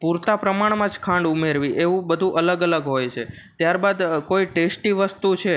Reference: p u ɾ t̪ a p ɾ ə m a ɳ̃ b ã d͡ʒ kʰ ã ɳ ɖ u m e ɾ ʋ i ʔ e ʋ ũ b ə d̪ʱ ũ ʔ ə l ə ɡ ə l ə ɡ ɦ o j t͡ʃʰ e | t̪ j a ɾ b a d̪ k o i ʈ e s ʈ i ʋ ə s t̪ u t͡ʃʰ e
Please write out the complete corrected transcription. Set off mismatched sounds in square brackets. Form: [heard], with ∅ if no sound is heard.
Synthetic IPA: p u ɾ t̪ a p ɾ ə m a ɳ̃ [m] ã d͡ʒ kʰ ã ɳ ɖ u m e ɾ ʋ i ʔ e ʋ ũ b ə d̪ʱ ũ ʔ ə l ə ɡ ə l ə ɡ ɦ o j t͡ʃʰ e | t̪ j a ɾ b a d̪ k o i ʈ e s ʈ i ʋ ə s t̪ u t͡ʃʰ e